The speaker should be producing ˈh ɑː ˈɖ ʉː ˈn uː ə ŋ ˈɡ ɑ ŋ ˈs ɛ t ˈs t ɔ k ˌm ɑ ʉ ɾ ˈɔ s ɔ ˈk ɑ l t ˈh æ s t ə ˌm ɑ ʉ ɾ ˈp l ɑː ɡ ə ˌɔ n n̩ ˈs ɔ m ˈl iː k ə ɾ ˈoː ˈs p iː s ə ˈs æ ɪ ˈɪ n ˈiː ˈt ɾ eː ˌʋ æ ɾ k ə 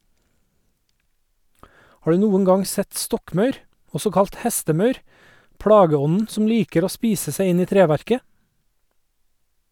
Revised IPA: ˈh ɑː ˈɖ ʉː ˈn uː ə ŋ ˈɡ ɑ ŋ ˈs ɛ t ˈs t ɔ k ˌm ɑ ʉ ɾ ˈɔ s ɔ ˈk ɑ l t ˈh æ s t ə ˌm ɑ ʉ ɾ ˈp ɽ ɑː ɡ ə ˌɔ n n̩ ˈs ɔ m ˈl iː k ə ɾ ˈoː ˈs p iː s ə ˈs æ ɪ ˈɪ n ˈiː ˈt ɾ eː ˌʋ æ ɾ k ə